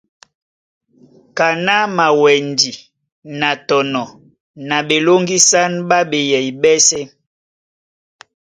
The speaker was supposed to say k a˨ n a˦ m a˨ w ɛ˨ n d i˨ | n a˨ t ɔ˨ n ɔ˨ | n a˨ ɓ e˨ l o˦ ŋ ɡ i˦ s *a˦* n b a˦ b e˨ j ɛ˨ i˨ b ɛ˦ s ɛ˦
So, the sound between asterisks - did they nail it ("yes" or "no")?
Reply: yes